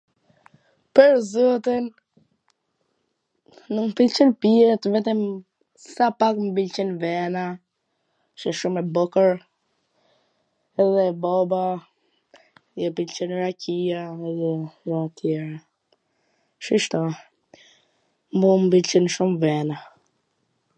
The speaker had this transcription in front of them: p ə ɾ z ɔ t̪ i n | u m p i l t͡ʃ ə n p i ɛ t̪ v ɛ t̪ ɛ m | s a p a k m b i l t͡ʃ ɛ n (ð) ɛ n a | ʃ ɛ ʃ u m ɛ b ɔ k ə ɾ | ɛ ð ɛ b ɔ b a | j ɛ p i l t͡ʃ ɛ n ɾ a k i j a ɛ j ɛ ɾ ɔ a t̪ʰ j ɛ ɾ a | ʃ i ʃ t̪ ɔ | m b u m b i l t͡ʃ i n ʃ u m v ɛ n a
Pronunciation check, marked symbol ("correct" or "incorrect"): incorrect